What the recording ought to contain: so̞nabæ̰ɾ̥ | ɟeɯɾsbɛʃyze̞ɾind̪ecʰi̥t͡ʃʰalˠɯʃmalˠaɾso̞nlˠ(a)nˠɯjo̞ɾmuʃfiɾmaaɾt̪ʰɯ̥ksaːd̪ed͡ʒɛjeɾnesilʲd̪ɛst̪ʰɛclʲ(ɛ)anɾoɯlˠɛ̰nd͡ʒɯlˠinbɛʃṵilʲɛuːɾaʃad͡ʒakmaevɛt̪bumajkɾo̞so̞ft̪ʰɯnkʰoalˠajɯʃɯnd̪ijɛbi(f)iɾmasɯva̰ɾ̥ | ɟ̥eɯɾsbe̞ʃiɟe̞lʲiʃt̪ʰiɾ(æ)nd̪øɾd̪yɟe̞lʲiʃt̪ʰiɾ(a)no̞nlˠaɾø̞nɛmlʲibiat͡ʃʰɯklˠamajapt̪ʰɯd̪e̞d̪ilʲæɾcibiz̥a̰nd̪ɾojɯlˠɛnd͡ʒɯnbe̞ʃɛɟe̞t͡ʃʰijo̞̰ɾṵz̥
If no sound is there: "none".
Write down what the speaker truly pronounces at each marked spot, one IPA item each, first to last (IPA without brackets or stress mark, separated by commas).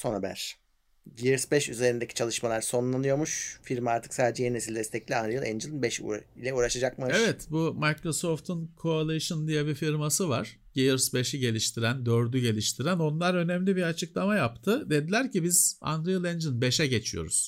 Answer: a, i, f, æ, æ